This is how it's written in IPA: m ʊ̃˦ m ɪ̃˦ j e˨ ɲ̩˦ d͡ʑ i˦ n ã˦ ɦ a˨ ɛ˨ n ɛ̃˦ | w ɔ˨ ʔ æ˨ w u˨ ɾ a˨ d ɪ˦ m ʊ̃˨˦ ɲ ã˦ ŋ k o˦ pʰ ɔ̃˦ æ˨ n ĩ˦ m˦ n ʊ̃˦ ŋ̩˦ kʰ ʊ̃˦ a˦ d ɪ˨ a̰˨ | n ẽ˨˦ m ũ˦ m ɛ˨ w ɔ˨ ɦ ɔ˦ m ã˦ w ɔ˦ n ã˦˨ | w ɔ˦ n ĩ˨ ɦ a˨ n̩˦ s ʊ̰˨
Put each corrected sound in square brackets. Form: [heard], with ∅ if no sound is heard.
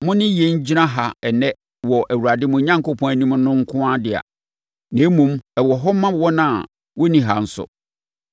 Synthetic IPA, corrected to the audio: m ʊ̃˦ [n] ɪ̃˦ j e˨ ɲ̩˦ d͡ʑ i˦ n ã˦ ɦ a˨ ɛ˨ n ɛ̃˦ | w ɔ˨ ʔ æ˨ w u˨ ɾ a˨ d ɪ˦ m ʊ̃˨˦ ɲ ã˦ ŋ k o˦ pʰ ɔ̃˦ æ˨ n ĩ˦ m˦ n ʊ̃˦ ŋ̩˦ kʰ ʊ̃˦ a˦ d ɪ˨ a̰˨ | n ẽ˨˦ m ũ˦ m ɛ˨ w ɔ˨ ɦ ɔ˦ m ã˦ w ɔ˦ n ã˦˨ | w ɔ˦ n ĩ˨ ɦ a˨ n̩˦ s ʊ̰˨